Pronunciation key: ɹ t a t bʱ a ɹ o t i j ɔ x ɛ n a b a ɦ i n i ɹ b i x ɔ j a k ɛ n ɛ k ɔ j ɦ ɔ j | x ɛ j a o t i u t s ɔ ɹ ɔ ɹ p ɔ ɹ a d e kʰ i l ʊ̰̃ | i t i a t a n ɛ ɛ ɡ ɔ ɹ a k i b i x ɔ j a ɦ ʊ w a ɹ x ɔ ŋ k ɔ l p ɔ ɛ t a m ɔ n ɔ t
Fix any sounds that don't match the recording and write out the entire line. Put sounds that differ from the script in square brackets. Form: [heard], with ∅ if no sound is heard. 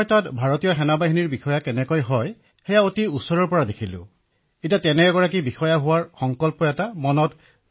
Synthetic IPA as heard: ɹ t a t bʱ a ɹ o t i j ɔ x ɛ n a b a ɦ i n i ɹ b i x ɔ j a k ɛ n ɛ k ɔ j ɦ ɔ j | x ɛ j a o t i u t s ɔ ɹ ɔ ɹ p ɔ ɹ a d e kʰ i l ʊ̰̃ | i t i a t [ɛ] n ɛ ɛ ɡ ɔ ɹ a k i b i x ɔ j a ɦ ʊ w a ɹ x ɔ ŋ k ɔ l p ɔ ɛ t a m ɔ n ɔ t